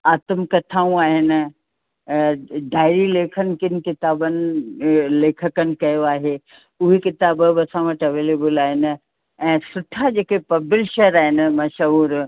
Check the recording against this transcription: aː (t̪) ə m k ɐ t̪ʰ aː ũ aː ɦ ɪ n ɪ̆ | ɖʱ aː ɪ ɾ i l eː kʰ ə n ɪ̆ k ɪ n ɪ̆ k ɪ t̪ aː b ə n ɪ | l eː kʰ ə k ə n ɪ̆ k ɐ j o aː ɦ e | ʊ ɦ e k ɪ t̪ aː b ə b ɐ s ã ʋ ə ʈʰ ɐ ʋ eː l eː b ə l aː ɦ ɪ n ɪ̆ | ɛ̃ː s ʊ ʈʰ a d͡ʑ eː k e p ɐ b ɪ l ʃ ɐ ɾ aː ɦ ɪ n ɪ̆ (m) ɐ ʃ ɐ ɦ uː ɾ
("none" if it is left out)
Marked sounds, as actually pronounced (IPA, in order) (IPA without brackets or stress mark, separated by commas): t̪, m